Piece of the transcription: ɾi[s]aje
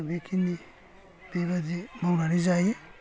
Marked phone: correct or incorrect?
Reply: incorrect